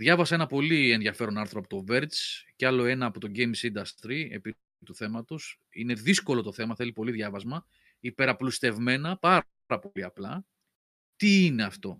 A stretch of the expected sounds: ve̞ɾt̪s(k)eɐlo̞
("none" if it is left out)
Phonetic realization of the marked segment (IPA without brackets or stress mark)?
c